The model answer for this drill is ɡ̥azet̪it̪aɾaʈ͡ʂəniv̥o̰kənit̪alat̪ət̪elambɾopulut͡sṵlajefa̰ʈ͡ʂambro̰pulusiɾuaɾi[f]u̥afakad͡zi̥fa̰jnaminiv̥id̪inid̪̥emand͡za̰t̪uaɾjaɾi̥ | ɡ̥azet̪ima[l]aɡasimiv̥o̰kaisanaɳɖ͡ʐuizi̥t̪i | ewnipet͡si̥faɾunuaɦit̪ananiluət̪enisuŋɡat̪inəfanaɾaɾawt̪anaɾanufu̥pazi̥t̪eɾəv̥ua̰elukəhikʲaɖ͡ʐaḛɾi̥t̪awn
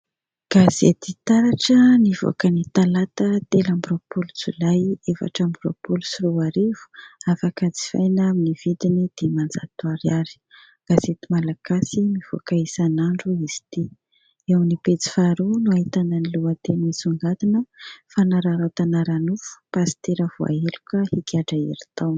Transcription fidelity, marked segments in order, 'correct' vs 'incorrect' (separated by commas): incorrect, correct